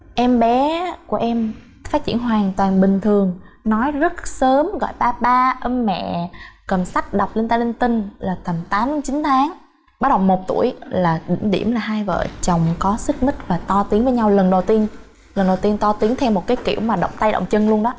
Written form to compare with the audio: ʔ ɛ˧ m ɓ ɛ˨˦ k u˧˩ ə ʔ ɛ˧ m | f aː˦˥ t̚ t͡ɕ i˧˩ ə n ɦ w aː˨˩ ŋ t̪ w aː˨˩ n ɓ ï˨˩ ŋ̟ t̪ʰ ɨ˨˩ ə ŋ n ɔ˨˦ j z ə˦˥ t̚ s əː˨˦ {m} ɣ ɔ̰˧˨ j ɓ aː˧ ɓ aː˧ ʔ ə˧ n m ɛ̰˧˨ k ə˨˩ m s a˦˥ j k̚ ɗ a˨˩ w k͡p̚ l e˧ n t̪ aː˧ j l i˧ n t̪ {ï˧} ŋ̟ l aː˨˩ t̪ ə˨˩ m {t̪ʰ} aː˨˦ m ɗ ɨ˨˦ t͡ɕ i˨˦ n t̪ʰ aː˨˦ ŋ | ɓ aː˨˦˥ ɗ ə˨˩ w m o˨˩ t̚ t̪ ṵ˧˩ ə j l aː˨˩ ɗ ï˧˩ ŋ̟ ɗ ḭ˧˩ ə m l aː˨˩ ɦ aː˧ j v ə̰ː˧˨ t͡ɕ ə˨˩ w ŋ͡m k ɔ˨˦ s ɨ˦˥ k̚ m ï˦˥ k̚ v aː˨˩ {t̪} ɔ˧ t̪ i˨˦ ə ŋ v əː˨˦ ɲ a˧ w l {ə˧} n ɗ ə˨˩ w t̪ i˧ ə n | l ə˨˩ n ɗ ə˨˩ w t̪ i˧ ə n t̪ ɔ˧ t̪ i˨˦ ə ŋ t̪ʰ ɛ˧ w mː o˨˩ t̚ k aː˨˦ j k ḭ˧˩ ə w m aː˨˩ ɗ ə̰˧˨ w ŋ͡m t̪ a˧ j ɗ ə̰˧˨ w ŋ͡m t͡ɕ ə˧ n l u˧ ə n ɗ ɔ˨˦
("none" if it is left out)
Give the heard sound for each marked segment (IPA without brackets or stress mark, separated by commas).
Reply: m, ï˧, t̪, t̪, ə˨˩